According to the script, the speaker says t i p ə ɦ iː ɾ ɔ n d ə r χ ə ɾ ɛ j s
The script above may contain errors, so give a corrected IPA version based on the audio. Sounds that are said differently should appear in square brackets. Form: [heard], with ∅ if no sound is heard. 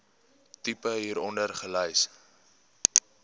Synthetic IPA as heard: t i p ə ɦ iː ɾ ɔ n d ə r χ ə [l] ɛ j s